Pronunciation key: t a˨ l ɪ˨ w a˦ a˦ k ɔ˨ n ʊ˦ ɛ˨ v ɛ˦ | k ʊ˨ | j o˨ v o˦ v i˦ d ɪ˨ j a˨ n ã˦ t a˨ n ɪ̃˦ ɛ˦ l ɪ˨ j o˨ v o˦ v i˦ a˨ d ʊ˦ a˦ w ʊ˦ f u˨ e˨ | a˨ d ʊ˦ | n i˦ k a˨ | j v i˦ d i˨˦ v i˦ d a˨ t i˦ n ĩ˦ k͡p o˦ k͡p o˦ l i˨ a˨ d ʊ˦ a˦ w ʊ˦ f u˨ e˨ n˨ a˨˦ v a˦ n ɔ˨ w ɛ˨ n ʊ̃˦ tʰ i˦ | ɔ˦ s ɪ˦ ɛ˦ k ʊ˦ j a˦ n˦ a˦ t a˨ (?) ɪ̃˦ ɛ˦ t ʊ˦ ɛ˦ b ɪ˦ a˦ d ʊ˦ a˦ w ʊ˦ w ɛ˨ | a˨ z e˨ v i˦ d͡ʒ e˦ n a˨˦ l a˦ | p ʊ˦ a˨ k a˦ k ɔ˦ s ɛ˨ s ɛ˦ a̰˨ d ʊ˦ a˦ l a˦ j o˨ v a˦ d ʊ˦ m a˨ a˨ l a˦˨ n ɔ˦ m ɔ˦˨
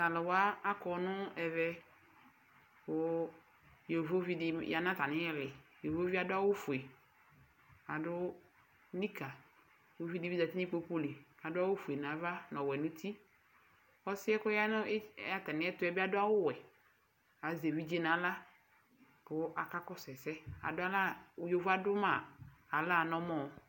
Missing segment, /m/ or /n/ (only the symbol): n